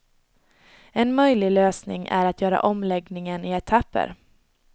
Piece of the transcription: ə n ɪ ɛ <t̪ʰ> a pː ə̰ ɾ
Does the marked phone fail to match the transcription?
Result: no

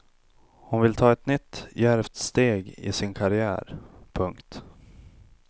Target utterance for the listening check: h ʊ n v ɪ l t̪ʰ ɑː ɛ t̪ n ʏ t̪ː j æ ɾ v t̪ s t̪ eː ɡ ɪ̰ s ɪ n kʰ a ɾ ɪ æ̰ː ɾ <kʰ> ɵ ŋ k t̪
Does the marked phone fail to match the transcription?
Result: yes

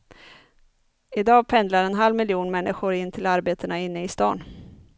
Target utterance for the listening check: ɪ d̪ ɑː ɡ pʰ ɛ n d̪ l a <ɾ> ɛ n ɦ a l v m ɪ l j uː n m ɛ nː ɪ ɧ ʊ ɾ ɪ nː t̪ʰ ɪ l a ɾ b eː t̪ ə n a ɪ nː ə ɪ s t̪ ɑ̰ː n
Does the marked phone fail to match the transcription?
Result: no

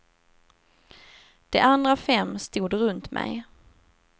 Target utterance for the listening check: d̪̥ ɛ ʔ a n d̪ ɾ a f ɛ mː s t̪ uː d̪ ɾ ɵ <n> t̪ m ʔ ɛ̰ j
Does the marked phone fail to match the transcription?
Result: no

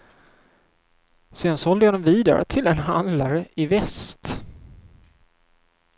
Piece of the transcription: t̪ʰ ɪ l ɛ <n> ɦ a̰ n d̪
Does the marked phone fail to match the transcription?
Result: no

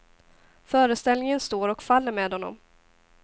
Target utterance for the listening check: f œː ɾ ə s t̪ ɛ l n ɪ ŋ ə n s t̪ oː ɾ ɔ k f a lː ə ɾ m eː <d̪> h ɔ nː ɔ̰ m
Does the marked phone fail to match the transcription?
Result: no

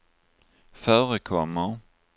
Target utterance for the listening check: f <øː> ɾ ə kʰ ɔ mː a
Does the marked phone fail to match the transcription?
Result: yes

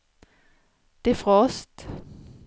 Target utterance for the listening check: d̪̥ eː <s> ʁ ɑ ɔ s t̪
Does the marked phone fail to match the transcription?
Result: yes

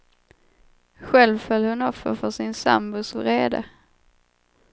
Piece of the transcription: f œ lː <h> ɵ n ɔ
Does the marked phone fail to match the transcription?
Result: no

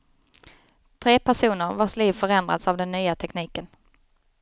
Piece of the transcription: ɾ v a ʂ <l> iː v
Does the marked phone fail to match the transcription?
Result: no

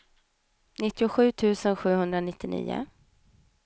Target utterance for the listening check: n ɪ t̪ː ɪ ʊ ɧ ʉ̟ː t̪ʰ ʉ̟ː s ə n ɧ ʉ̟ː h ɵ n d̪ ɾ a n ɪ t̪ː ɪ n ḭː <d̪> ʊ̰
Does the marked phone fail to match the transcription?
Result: yes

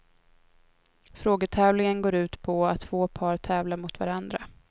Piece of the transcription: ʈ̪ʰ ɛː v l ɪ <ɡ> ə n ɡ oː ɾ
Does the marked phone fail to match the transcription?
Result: yes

